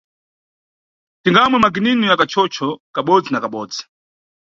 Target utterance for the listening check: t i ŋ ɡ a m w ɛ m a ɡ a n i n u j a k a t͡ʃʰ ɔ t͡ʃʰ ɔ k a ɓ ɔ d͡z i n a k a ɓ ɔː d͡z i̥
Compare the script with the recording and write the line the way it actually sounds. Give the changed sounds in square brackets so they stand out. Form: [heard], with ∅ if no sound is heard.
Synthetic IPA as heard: t i ŋ ɡ a m w ɛ m a ɡ [i] n i n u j a k a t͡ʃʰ ɔ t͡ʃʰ ɔ k a ɓ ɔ d͡z i n a k a ɓ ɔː d͡z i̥